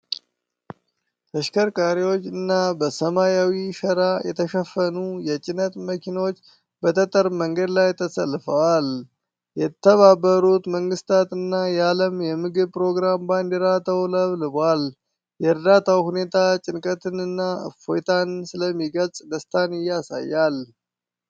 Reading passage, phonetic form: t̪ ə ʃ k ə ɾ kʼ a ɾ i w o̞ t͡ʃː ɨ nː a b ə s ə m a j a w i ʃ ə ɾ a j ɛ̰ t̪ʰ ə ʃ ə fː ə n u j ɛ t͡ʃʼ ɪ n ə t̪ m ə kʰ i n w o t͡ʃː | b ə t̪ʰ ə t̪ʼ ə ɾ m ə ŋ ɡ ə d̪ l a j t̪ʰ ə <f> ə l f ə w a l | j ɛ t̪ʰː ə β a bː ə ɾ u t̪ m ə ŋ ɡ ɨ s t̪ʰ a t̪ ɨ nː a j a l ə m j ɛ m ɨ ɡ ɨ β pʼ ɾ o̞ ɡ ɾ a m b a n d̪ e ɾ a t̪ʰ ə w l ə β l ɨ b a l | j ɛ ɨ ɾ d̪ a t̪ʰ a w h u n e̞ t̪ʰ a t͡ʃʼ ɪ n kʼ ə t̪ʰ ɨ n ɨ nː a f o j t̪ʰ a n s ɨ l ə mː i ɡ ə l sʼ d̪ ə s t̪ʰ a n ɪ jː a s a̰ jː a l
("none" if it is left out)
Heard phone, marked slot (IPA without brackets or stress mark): s